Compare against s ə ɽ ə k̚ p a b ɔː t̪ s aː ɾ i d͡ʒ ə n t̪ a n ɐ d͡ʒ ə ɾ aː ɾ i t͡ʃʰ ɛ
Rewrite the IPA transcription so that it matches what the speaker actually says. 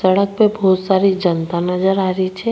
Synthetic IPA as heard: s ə ɽ ə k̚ p e b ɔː t̪ s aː ɾ i d͡ʒ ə n t̪ a n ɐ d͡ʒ ə ɾ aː ɾ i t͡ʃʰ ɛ